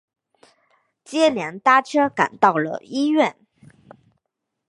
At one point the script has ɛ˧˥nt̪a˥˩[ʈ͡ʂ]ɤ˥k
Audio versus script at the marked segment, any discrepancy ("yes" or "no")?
yes